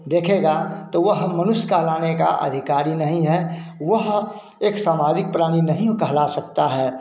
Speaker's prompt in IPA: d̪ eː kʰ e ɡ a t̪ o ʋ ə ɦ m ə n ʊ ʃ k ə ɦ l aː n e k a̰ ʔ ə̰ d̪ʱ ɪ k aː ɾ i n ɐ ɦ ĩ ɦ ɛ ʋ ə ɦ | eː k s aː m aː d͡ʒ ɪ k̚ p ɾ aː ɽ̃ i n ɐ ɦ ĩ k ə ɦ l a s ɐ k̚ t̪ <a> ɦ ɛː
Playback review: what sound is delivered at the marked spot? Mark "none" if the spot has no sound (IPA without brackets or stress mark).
a